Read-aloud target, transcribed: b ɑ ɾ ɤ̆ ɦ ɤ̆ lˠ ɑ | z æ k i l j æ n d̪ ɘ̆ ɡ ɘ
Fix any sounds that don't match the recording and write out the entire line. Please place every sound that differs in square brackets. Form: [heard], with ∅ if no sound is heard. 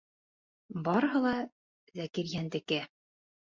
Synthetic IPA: b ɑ ɾ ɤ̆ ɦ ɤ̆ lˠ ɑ | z æ k i [ɾ] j æ n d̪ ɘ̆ [k] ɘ